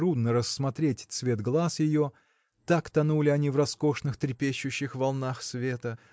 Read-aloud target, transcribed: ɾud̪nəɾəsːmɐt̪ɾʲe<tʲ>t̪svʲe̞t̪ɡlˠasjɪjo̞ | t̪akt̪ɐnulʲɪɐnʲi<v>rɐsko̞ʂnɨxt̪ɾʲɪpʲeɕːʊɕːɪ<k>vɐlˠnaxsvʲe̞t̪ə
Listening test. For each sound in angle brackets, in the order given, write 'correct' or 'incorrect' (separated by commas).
correct, correct, incorrect